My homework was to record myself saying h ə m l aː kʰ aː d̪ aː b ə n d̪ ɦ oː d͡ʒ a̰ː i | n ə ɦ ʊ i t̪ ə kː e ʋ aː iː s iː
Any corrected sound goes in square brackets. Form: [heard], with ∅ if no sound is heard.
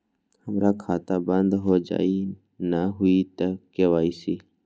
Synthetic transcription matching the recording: h ə m [ɾ] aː kʰ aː [t̪] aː b ə n d̪ ɦ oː d͡ʒ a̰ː i | n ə ɦ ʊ i t̪ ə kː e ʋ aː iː s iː